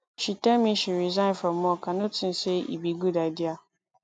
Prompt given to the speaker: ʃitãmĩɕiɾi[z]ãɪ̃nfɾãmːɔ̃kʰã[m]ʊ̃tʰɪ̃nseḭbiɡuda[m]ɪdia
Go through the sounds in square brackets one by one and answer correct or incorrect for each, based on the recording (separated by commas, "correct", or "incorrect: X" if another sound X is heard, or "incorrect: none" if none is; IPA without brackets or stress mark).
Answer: correct, incorrect: n, incorrect: none